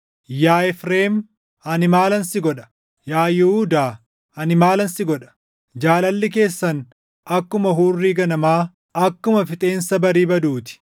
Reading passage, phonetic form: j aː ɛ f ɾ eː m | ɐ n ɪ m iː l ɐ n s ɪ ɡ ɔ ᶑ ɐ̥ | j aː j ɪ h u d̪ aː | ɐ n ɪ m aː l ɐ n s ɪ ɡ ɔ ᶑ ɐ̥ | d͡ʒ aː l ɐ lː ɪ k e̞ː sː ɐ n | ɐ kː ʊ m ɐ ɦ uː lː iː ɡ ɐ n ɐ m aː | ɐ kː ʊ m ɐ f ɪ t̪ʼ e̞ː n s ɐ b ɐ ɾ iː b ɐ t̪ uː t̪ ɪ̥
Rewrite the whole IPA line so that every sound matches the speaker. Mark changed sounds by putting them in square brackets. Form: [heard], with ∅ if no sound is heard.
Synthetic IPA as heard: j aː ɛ f ɾ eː m | ɐ n ɪ m [aː] l ɐ n s ɪ ɡ ɔ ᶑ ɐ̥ | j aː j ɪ h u d̪ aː | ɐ n ɪ m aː l ɐ n s ɪ ɡ ɔ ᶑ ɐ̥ | d͡ʒ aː l ɐ lː ɪ k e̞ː sː ɐ n | ɐ kː ʊ m ɐ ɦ uː [rː] iː ɡ ɐ n ɐ m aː | ɐ kː ʊ m ɐ f ɪ t̪ʼ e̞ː n s ɐ b ɐ ɾ iː b ɐ [d̪] uː t̪ ɪ̥